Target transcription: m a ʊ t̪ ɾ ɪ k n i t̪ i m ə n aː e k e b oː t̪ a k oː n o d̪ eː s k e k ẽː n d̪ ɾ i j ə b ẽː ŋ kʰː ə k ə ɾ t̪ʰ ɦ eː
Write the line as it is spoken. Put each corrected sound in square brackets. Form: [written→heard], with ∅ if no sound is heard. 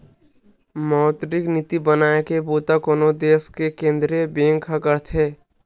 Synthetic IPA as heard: m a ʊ t̪ ɾ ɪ k n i t̪ i [m→b] ə n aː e k e b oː t̪ a k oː n o d̪ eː s k e k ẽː n d̪ ɾ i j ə b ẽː ŋ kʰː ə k ə ɾ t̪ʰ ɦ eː

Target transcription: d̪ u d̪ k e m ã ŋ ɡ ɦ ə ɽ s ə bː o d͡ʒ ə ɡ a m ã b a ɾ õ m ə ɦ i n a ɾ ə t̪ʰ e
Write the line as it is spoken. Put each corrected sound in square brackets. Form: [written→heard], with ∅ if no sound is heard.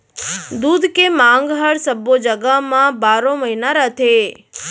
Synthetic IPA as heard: d̪ u d̪ k e m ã ŋ ɡ ɦ ə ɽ s ə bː o d͡ʒ ə ɡ a m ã b a ɾ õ m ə ɦ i n a ɾ ə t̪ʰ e

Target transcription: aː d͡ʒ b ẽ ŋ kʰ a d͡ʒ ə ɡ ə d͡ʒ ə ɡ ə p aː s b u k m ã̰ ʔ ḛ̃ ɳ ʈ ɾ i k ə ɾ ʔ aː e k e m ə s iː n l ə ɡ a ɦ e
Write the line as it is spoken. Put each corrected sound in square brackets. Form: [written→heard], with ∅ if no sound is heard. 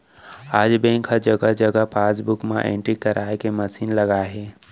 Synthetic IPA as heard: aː d͡ʒ b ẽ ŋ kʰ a d͡ʒ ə ɡ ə d͡ʒ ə ɡ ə p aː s b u k m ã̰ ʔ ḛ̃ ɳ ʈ ɾ i k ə ɾ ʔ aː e k e m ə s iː n l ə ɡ a ɦ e

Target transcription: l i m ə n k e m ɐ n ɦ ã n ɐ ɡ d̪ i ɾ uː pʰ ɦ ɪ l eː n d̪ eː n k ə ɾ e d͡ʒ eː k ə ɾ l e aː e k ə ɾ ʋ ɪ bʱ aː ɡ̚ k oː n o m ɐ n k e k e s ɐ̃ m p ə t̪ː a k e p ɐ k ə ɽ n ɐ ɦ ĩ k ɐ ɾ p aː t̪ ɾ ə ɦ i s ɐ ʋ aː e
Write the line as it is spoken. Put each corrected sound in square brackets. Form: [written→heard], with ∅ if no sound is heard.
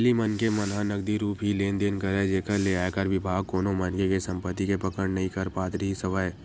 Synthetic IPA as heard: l i m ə n k e m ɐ n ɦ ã n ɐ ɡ d̪ i ɾ uː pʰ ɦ [ɪ→i] l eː n d̪ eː n k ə ɾ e d͡ʒ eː k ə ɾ l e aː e k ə ɾ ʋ ɪ bʱ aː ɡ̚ k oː n o m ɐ n k e k e s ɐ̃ m p ə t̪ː [a→i] k e p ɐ k ə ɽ n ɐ ɦ ĩ k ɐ ɾ p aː t̪ ɾ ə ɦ i s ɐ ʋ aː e

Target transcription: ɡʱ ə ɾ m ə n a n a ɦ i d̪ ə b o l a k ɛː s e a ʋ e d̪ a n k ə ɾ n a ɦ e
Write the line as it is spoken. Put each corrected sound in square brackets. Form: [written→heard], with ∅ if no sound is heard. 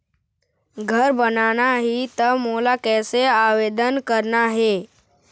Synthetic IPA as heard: ɡʱ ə ɾ [m→b] ə n a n a ɦ i [d̪→t̪] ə [b→m] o l a k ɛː s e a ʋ e d̪ [a→ə] n k ə ɾ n a ɦ e

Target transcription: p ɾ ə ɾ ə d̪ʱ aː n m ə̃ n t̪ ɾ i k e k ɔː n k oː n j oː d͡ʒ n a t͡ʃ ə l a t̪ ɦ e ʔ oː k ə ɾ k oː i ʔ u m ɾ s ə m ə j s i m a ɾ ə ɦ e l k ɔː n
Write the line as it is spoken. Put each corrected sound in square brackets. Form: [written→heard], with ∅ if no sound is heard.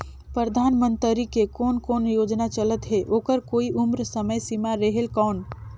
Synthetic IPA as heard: p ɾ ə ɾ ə d̪ʱ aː n m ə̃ n t̪ ɾ i k e k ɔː n k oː n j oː d͡ʒ n a t͡ʃ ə l [a→ə] t̪ ɦ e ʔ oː k ə ɾ k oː i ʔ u m ɾ s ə m ə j s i m a ɾ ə ɦ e l k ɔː n

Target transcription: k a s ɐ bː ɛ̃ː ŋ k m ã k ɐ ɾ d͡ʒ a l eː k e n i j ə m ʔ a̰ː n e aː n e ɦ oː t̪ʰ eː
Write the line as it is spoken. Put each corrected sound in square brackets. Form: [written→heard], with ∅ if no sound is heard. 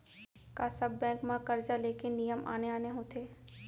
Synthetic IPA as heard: k a s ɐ bː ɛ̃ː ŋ k m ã k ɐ ɾ d͡ʒ a l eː k e n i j ə m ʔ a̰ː n e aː n e ɦ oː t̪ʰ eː

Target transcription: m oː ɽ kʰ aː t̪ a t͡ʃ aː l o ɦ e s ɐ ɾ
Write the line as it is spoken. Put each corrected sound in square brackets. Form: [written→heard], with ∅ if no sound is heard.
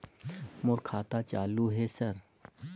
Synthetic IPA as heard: m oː [ɽ→ɾ] kʰ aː t̪ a t͡ʃ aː l [o→u] ɦ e s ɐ ɾ

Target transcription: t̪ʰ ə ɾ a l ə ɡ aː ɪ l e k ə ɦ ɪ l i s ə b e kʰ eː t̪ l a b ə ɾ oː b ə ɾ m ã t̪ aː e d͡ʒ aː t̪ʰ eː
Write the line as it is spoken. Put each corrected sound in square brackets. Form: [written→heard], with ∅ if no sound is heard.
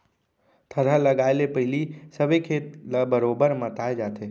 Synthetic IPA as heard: t̪ʰ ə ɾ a l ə ɡ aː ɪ l e [k→p] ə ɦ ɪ l i s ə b e kʰ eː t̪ l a b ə ɾ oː b ə ɾ m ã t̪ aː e d͡ʒ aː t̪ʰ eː

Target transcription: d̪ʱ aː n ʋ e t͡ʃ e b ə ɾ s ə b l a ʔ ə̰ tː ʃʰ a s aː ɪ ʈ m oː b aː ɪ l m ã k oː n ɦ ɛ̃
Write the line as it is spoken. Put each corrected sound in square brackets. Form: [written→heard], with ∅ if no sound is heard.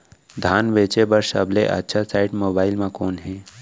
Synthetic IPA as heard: d̪ʱ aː n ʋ e t͡ʃ e b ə ɾ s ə b l [a→e] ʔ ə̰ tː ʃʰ a s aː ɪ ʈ m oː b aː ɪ l m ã k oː n ɦ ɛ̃

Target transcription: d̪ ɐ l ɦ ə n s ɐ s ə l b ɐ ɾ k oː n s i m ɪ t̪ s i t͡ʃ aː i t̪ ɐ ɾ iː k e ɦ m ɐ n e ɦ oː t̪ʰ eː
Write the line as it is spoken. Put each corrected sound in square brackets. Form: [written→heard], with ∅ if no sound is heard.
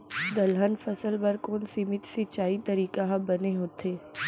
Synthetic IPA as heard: d̪ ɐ l ɦ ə n [s→f] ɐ s ə l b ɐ ɾ k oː n s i m ɪ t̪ s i t͡ʃ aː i t̪ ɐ ɾ iː k [e→a] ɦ [m→b] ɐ n e ɦ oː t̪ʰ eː

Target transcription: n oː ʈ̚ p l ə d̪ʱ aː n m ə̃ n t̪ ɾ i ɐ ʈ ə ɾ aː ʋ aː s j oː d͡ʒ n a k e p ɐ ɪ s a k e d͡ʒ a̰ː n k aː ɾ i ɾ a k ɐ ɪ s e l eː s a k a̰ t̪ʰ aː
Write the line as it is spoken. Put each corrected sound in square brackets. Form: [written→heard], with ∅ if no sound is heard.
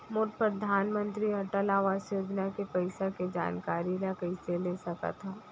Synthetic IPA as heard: [n→m] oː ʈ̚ p [l→ɾ] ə d̪ʱ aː n m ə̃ n t̪ ɾ i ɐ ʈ ə [ɾ→l] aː ʋ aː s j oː d͡ʒ n a k e p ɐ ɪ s a k e d͡ʒ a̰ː n k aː ɾ i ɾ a k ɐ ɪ s e l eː s [a→ɐ] k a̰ t̪ʰ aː

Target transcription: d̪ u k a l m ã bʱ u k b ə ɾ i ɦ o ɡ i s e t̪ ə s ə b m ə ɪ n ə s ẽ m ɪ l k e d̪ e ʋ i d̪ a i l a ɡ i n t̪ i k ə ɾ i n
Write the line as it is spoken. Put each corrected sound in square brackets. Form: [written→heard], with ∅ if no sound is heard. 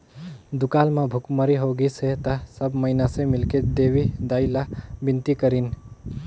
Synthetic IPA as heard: d̪ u k a l m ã bʱ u k [b→m] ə ɾ i ɦ o ɡ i s e t̪ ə s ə b m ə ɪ n [ə→a] s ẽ m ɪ l k e d̪ e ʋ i d̪ a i l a [ɡ→b] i n t̪ i k ə ɾ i n

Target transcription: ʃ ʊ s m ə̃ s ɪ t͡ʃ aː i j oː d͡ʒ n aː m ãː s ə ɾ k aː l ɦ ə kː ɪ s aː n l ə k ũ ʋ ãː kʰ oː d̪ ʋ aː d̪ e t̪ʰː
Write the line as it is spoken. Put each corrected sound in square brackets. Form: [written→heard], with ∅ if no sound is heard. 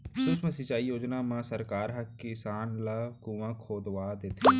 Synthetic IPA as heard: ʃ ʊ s m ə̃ s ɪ t͡ʃ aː i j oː d͡ʒ n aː m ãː s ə ɾ k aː [l→ɾ] ɦ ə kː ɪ s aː n l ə k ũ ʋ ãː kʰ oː d̪ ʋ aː d̪ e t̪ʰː

